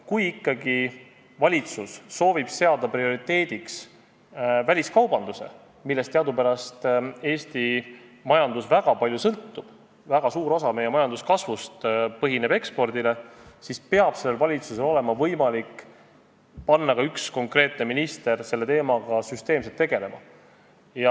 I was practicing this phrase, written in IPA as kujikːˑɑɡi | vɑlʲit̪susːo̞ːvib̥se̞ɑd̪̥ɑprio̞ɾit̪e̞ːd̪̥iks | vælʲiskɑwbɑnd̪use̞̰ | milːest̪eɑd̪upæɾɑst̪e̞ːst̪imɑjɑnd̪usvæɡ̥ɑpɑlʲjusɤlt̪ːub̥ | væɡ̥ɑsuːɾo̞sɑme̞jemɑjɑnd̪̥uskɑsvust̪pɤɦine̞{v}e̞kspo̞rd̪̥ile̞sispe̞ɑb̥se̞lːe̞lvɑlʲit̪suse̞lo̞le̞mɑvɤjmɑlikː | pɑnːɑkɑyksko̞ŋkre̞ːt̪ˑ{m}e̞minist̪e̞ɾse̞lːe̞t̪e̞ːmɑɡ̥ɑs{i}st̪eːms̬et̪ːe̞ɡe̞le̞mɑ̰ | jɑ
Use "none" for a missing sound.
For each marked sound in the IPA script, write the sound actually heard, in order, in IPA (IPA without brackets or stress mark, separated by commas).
b, n, y